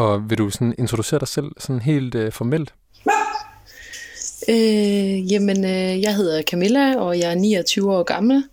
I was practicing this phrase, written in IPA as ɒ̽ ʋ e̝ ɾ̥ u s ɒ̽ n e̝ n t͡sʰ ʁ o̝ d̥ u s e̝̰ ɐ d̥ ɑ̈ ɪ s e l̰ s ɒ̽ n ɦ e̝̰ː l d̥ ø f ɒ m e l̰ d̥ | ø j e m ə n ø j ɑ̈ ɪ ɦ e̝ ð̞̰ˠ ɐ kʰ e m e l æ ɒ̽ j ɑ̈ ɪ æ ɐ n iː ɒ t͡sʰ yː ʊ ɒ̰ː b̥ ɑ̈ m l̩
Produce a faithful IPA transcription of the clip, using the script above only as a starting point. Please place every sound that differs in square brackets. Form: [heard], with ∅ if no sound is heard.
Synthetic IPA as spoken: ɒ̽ ʋ e̝ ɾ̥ u s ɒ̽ n e̝ n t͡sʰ ʁ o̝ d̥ u s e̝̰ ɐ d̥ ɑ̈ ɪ s e l̰ s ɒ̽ n ɦ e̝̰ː l d̥ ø f ɒ m e l̰ d̥ | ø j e m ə n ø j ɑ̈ ɪ ɦ e̝ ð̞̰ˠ ɐ kʰ [æ] m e l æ ɒ̽ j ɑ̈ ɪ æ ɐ n iː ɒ t͡sʰ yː ʊ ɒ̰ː [ɡ̥] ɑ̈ m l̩